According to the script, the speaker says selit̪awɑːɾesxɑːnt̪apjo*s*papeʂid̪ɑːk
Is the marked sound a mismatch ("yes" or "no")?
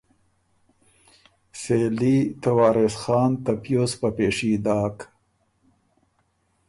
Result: no